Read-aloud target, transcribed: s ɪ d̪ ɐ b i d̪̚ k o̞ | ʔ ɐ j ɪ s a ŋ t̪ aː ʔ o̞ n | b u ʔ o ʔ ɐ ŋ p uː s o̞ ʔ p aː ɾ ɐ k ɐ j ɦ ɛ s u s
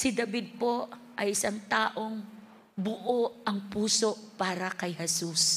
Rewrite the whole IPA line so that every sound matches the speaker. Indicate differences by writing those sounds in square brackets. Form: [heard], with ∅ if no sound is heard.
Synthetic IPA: s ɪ d̪ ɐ b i d̪̚ [p] o̞ | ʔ ɐ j ɪ s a ŋ t̪ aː ʔ o̞ [ŋ] | b [ʊ] ʔ o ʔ ɐ ŋ p uː s o̞ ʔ p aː ɾ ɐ k ɐ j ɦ ɛ s u s